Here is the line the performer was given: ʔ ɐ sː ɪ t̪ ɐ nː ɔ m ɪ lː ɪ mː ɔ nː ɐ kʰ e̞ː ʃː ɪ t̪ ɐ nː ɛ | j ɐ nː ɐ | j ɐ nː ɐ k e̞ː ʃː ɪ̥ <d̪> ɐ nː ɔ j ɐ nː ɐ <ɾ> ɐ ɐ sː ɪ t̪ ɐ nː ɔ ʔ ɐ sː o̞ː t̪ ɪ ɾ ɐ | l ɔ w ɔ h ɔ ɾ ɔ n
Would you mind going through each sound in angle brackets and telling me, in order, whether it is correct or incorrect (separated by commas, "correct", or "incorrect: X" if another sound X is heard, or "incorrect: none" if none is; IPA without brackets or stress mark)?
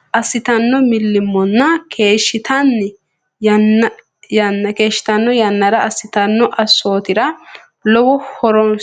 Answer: incorrect: t̪, correct